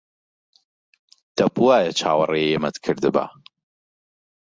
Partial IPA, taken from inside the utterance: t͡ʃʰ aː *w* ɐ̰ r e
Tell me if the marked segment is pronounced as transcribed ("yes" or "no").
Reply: yes